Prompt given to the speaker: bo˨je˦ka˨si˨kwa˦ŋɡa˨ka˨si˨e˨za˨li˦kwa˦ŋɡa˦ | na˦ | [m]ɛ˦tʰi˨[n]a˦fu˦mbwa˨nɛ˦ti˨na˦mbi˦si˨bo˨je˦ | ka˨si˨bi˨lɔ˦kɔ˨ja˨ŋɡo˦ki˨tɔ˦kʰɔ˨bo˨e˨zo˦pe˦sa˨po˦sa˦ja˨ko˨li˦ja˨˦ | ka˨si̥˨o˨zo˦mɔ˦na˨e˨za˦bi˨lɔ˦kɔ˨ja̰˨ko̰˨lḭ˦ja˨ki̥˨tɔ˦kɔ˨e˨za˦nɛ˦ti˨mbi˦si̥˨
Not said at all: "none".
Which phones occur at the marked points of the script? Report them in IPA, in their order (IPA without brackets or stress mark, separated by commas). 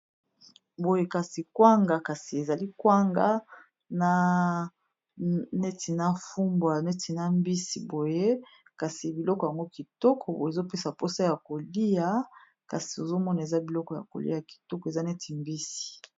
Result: n, n